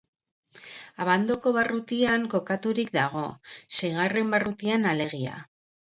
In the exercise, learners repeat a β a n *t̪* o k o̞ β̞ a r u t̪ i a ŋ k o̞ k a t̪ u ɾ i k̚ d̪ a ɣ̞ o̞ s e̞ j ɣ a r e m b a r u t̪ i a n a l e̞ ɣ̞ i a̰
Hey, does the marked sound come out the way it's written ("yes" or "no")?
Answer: no